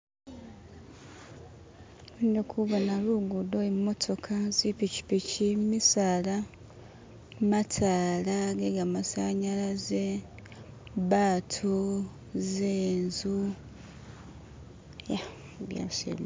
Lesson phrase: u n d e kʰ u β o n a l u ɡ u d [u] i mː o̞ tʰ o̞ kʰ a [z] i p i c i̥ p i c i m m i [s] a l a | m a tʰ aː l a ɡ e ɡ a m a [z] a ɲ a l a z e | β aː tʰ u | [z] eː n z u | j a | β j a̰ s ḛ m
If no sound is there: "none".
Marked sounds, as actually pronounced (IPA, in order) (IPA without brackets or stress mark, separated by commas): o, z, s, s, z